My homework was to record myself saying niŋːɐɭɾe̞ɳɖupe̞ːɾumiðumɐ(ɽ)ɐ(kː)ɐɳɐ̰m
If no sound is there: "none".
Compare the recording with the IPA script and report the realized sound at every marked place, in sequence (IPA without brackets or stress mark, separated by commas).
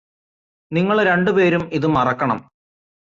r, kː